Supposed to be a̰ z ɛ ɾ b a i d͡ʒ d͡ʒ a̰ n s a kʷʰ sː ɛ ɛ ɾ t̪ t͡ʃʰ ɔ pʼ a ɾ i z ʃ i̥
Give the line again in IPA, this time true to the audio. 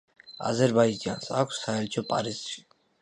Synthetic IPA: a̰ z ɛ ɾ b a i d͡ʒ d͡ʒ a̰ n s a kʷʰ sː a ɛ ɾ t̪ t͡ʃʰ ɔ pʼ a ɾ i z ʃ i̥